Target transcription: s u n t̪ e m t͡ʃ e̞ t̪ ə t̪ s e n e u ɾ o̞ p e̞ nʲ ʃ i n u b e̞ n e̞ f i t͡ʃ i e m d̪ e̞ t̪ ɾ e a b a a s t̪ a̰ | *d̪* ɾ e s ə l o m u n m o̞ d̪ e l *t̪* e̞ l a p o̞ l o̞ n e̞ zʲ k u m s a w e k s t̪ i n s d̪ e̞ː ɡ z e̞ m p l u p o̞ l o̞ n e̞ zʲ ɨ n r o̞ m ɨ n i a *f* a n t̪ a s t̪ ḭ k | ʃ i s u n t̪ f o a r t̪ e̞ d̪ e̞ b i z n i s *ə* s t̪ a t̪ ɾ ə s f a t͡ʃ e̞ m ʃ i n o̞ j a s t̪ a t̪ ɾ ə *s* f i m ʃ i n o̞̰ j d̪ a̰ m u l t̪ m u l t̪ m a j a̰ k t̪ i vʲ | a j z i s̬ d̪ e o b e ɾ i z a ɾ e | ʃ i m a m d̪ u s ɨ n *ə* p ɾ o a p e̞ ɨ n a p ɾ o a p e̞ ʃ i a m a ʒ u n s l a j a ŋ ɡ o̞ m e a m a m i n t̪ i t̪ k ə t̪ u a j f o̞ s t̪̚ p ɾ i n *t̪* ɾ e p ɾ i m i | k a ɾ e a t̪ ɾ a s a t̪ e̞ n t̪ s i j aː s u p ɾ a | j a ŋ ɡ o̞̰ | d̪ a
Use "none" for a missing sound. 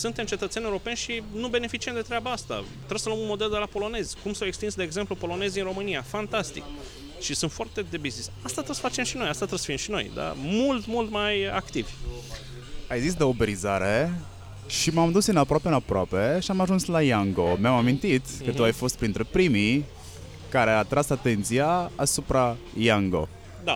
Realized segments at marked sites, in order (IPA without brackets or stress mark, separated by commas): t̪, d̪, f, a, s, a, t̪